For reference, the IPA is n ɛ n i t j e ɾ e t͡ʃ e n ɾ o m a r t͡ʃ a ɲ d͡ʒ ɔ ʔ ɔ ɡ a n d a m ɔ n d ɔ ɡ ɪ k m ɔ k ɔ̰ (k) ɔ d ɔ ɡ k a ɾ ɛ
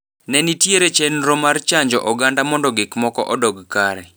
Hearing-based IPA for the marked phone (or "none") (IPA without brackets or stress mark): ʔ